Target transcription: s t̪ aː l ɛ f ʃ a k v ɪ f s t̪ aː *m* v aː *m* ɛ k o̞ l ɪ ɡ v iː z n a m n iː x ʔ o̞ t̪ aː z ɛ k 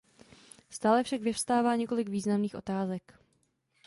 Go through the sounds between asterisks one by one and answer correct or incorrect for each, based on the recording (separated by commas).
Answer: incorrect, incorrect